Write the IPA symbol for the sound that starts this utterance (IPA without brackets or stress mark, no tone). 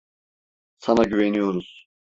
s